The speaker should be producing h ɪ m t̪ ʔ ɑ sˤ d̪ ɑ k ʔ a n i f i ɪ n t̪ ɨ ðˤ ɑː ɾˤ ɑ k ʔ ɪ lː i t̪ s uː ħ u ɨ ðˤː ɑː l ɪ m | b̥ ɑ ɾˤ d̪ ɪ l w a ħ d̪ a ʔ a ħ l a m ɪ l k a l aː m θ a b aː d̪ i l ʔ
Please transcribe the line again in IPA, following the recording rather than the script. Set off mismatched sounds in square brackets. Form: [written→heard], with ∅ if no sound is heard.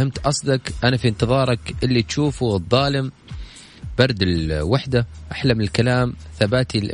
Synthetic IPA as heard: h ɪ m t̪ ʔ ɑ sˤ d̪ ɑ k ʔ a n [i→a] f i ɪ n t̪ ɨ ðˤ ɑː ɾˤ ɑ k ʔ ɪ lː i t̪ [s→ʃ] uː [ħ→f] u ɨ ðˤː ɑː l ɪ m | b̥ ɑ ɾˤ d̪ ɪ l w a ħ d̪ a ʔ a ħ l a m ɪ l k a l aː m θ a b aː [d̪→t̪] i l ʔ